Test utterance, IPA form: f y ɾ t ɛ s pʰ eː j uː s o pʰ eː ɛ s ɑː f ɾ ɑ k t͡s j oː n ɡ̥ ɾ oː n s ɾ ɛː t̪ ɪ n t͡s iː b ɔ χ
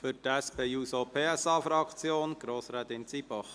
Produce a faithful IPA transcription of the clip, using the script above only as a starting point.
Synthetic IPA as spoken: f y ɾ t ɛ s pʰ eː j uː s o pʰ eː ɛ s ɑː f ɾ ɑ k t͡s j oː n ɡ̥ ɾ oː s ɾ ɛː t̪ ɪ n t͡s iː b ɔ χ